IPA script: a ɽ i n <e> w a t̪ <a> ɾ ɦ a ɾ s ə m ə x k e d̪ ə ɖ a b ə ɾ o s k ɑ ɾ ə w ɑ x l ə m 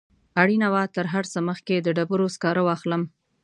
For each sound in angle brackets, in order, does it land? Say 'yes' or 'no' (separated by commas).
no, no